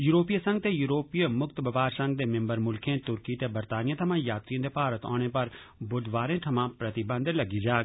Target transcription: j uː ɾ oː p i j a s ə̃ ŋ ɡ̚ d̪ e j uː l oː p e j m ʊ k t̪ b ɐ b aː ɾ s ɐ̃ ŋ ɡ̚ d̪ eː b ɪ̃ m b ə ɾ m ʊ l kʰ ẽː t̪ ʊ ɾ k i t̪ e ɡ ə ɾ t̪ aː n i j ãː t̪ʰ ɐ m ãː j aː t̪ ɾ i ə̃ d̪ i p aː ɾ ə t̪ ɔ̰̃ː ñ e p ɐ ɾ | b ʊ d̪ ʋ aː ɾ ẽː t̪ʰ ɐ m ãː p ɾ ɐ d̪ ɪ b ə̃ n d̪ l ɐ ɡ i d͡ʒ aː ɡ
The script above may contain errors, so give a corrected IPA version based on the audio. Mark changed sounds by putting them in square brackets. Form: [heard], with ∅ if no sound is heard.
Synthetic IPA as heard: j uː ɾ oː p i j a s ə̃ ŋ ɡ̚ [t̪] e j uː [ɾ] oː p [i] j m ʊ k t̪ b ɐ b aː ɾ s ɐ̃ ŋ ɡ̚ d̪ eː [m] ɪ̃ m b ə ɾ m ʊ l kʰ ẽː t̪ ʊ ɾ k i t̪ e [b] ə ɾ t̪ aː n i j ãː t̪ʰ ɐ m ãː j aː t̪ ɾ i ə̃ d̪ [e] p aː ɾ ə t̪ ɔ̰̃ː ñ e p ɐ ɾ | b ʊ d̪ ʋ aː ɾ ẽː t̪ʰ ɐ m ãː p ɾ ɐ [t̪] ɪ b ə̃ n d̪ l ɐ ɡ i d͡ʒ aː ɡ

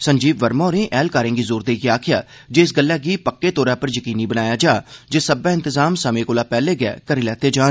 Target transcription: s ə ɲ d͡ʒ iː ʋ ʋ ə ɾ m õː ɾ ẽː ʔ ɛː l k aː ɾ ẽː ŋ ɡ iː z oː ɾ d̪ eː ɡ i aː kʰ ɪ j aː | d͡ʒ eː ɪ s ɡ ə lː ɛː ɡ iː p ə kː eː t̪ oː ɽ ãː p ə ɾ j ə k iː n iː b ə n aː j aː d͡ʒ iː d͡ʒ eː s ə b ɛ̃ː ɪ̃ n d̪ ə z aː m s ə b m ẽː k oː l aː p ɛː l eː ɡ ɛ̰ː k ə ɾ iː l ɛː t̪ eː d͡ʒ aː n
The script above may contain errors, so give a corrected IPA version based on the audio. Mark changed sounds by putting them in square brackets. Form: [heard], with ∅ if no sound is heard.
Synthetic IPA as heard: s ə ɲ d͡ʒ iː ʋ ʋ ə ɾ m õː ɾ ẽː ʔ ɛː l k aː ɾ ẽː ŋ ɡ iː z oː ɾ d̪ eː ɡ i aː kʰ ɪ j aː | d͡ʒ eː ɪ s ɡ ə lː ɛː ɡ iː p ə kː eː t̪ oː [ɾ] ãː p ə ɾ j ə k iː n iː b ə n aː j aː d͡ʒ [aː] d͡ʒ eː s ə b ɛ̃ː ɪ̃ n [t̪] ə z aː m s ə [∅] m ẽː k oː l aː p ɛː l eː ɡ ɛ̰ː k ə ɾ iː l ɛː t̪ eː d͡ʒ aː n

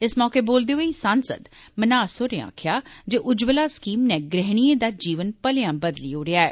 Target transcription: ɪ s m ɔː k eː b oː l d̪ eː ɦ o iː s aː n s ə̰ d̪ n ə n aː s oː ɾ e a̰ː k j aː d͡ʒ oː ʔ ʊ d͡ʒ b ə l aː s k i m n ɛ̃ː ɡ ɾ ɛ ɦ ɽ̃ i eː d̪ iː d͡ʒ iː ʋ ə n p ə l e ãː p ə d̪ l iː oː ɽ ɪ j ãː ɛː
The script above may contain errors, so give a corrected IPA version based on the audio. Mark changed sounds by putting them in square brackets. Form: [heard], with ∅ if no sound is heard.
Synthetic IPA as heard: ɪ s m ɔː k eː b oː l d̪ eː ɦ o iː s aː n s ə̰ d̪ [m] ə n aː s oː ɾ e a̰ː [kʰ] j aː d͡ʒ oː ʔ ʊ d͡ʒ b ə l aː s k [iː] m n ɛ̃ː ɡ ɾ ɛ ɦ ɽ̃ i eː d̪ [aː] d͡ʒ iː ʋ ə n p ə l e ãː [b] ə d̪ l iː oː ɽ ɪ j [aː] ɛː

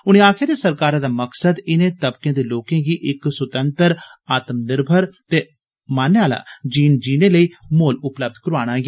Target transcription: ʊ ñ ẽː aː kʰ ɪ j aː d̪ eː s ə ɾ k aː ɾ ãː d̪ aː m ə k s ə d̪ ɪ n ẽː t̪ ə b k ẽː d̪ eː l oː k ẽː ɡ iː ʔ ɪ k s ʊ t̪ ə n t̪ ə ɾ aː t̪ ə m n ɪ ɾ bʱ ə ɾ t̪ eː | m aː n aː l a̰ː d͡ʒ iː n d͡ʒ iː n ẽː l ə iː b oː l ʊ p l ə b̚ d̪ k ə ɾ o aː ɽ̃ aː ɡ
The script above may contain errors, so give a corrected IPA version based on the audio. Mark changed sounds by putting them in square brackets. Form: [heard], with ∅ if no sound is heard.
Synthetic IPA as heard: ʊ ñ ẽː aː kʰ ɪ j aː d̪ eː s ə ɾ k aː ɾ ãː d̪ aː m ə k s ə d̪ ɪ n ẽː t̪ ə b k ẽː d̪ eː l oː k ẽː ɡ iː ʔ ɪ k s ʊ t̪ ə n t̪ ə ɾ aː t̪ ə m n ɪ ɾ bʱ ə ɾ t̪ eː | m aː n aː l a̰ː d͡ʒ iː n d͡ʒ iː n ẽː l ə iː [m] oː l ʊ p l ə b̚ d̪ k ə ɾ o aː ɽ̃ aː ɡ

